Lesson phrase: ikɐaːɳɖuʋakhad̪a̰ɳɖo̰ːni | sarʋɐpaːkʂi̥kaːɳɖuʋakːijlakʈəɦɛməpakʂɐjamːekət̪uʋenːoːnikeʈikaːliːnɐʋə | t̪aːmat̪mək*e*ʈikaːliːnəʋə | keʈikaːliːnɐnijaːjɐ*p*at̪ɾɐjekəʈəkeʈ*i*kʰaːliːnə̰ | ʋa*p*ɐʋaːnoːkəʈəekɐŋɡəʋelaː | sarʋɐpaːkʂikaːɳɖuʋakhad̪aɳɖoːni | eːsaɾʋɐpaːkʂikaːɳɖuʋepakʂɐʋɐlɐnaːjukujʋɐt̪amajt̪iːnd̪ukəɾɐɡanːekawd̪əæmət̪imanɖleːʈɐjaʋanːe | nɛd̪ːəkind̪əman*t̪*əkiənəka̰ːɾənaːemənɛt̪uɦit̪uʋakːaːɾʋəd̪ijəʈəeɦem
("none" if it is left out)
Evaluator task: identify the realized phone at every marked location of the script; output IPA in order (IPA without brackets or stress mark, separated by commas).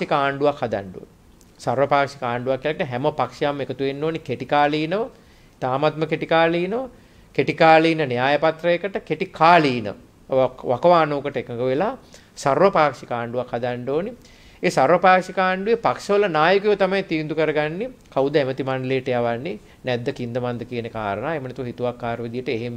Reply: e, p, i, k, d̪